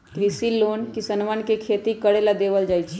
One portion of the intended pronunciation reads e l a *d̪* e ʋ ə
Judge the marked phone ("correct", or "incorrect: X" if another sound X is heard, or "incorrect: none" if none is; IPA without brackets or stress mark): correct